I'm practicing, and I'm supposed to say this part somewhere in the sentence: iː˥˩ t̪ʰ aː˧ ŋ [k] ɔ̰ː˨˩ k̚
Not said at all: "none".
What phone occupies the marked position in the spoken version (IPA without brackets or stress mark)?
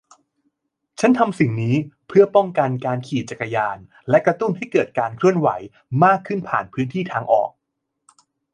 ʔ